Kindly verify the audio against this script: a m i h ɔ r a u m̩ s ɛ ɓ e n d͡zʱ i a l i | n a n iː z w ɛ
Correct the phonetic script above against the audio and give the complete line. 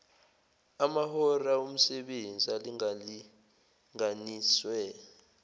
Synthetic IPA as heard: a m a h ɔ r a u m̩ s ɛ ɓ e n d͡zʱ i a l i | ŋ a n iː s w ɛ